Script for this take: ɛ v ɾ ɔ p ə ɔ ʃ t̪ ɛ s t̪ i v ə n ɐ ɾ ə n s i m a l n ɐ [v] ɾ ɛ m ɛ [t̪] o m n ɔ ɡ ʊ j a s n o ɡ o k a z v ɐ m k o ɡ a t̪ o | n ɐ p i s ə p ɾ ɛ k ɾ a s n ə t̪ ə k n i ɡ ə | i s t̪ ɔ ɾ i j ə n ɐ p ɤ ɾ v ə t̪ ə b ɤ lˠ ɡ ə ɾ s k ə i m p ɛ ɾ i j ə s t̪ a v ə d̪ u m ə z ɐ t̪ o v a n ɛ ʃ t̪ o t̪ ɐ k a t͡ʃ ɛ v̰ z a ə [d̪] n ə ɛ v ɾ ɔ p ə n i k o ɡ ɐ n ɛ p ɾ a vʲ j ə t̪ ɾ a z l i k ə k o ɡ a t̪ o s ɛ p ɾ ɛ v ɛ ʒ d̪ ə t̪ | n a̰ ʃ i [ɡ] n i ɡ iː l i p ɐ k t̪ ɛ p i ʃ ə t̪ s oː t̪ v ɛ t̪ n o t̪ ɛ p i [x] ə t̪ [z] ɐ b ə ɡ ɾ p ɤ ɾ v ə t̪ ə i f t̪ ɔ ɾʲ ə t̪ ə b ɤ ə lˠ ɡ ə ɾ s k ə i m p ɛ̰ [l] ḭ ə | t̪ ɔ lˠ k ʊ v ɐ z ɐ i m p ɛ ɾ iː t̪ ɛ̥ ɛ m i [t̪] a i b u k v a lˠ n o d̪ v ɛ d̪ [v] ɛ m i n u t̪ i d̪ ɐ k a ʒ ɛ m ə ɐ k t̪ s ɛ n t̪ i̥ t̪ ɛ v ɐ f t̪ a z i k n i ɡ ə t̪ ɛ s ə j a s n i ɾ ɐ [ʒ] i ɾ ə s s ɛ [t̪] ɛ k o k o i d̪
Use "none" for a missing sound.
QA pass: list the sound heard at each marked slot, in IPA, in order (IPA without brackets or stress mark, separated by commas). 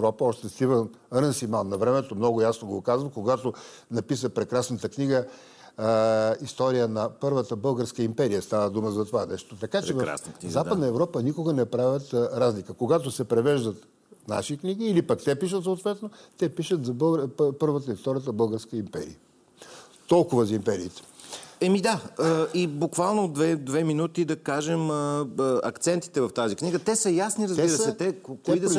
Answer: v, t̪, d̪, k, ʃ, z, ɾ, d̪, v, z, t̪